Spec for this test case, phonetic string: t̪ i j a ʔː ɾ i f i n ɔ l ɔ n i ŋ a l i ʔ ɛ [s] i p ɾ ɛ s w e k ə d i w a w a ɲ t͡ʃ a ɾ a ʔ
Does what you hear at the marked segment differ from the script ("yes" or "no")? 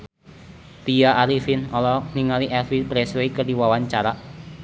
yes